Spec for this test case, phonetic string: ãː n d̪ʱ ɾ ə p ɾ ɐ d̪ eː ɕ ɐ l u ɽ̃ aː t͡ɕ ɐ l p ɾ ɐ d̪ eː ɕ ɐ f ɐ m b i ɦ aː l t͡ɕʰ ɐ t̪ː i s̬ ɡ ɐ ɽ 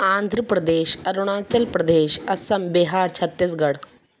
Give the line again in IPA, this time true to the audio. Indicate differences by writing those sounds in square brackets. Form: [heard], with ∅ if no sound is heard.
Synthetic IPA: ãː n d̪ʱ ɾ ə p ɾ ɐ d̪ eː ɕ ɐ [ɾ] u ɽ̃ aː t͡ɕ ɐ l p ɾ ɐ d̪ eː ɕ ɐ [s] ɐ m b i ɦ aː [ɾ] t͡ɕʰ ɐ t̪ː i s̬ ɡ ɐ ɽ